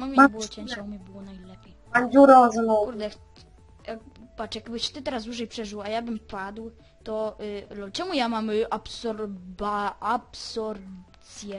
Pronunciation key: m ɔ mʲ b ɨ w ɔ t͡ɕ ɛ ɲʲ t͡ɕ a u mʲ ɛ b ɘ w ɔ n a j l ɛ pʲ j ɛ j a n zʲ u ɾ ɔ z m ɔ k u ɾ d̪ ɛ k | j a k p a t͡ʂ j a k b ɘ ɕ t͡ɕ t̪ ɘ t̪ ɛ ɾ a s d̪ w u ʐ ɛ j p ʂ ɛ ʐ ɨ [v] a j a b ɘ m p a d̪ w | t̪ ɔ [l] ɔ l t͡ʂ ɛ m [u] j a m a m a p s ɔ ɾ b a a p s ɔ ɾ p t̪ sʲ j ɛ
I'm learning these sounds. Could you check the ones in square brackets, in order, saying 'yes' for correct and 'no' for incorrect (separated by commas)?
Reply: no, yes, yes